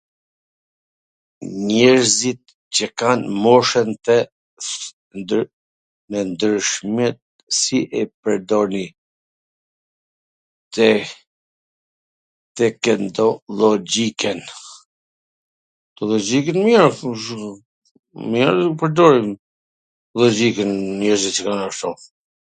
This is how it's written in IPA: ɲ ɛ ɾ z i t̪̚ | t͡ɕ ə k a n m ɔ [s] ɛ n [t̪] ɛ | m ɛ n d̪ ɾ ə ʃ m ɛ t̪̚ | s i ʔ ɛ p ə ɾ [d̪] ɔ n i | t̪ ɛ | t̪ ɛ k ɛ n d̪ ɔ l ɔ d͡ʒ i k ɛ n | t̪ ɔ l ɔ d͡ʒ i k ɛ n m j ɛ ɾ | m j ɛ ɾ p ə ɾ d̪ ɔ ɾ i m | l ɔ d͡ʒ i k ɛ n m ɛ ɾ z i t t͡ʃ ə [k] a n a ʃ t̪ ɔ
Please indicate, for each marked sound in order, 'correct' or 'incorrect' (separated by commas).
incorrect, correct, correct, correct